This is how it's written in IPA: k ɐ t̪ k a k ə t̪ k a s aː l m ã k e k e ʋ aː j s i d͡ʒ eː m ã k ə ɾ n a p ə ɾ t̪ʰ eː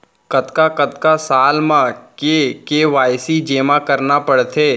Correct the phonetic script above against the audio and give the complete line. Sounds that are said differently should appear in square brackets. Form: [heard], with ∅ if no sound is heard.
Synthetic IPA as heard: k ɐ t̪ k a k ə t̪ k a s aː l m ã k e k e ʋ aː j s i d͡ʒ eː m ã k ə ɾ n a p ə [ɽ] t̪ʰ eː